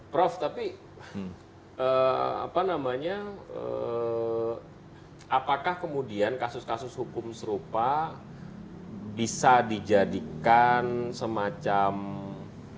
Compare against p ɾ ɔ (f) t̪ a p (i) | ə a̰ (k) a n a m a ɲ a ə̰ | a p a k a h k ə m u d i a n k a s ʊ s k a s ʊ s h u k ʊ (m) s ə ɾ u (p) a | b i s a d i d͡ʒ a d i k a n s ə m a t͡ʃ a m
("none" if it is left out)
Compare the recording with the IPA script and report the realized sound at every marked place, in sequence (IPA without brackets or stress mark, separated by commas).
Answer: f, i, p, m, p